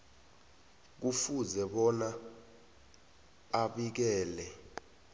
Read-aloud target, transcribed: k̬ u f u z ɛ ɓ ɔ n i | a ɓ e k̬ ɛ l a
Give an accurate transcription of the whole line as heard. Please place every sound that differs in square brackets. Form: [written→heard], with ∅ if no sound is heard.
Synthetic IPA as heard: k̬ u f u z ɛ ɓ ɔ n [i→a] | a ɓ [e→i] k̬ [ɛ→ɛː] l [a→ɛ]